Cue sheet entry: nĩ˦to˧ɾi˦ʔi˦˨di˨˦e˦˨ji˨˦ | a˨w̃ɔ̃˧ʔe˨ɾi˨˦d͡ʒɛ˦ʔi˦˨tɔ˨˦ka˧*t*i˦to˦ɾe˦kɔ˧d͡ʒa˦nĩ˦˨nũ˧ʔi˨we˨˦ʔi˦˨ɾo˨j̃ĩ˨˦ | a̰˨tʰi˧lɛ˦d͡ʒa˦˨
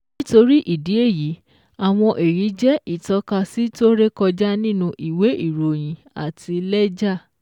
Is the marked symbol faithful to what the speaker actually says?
no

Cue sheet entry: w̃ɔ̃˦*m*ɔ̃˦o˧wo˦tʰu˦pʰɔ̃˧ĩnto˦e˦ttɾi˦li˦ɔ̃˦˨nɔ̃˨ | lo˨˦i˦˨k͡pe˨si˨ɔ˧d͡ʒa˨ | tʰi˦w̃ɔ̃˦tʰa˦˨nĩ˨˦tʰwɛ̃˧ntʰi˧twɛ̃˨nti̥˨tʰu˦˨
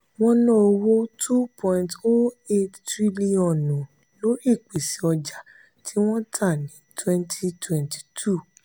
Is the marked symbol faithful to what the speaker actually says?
no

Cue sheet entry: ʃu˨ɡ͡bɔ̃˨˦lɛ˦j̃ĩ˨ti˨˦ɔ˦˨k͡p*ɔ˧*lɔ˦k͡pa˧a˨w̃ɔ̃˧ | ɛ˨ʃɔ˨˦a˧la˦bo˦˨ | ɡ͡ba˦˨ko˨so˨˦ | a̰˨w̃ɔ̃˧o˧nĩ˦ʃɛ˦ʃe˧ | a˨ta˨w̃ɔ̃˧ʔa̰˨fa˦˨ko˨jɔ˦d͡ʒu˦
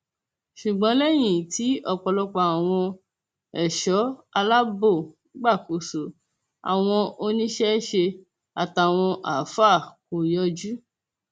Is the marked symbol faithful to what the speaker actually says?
yes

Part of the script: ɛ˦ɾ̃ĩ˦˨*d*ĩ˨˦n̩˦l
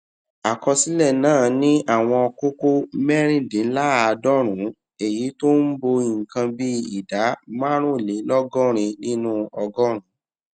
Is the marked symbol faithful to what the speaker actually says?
yes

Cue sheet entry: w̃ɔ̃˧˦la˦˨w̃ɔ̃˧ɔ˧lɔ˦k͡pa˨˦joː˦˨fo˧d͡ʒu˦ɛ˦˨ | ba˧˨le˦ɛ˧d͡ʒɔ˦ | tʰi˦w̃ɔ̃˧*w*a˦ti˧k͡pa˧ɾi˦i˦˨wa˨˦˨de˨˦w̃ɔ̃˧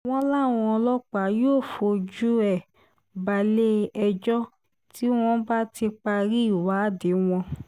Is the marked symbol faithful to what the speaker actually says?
no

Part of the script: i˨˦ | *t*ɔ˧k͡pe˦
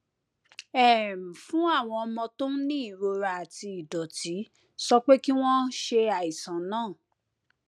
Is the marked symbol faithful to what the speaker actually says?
no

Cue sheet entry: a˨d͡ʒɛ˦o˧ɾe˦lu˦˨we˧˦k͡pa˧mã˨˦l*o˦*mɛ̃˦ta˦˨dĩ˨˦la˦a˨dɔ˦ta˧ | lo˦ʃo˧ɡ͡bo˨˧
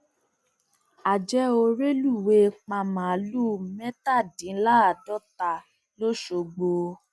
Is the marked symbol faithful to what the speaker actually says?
no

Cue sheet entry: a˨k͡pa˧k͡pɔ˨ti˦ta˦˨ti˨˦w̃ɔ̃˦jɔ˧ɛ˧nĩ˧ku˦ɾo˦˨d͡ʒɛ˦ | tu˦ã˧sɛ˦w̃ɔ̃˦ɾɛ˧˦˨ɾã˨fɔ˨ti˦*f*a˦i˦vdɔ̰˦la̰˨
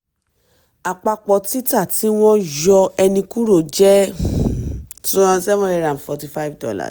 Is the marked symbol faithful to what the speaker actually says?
yes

